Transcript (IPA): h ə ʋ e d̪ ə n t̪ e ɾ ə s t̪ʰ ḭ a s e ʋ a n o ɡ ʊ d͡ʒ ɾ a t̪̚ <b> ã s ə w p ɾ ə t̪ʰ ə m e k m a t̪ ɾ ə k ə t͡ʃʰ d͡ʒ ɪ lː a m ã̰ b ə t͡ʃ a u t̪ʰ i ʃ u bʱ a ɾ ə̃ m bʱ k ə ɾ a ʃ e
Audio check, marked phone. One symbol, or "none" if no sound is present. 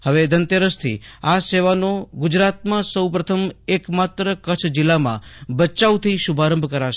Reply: m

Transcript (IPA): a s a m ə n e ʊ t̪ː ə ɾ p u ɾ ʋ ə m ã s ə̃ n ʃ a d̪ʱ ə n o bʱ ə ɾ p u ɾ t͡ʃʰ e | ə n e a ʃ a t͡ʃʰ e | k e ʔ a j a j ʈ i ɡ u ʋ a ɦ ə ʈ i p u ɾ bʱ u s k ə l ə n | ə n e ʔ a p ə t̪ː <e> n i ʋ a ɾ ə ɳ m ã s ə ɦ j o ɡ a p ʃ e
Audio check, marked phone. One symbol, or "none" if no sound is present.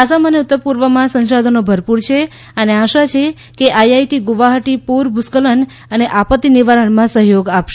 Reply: i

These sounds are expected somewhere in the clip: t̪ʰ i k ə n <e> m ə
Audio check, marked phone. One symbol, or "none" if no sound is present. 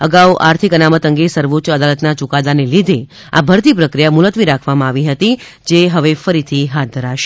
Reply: a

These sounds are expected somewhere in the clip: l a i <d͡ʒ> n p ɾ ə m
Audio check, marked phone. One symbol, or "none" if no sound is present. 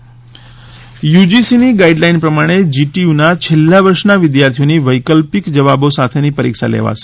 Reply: none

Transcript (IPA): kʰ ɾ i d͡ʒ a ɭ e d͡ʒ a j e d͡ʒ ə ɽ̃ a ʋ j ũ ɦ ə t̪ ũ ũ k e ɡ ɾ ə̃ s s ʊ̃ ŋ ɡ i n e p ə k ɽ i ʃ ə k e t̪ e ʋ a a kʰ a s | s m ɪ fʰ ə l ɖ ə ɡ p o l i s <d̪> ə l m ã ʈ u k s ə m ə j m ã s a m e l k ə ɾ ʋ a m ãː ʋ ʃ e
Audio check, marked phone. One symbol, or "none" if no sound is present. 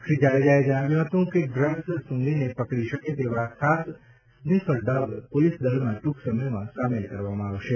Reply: d̪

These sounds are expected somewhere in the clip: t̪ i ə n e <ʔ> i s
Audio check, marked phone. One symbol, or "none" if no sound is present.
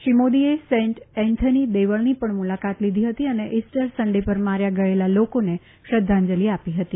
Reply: ʔ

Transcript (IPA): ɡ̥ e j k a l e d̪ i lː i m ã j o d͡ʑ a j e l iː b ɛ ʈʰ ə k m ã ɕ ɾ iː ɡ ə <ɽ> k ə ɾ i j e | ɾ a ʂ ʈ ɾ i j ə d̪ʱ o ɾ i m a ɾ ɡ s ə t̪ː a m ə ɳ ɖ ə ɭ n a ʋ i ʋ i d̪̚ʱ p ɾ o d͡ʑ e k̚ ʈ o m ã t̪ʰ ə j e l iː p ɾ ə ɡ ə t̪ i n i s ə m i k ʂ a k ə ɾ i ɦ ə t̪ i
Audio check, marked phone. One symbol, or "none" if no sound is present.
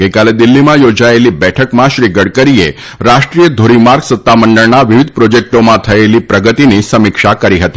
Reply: ɽ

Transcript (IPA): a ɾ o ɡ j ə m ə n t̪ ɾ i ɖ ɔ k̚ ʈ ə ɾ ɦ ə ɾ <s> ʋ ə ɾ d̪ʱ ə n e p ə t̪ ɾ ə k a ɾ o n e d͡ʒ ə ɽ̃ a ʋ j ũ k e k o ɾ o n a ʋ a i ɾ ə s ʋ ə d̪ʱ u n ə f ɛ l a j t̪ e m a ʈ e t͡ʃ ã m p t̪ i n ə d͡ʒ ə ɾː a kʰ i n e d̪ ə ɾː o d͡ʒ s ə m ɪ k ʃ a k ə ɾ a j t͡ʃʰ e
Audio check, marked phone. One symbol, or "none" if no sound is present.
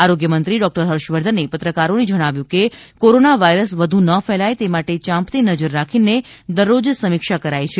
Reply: ʃ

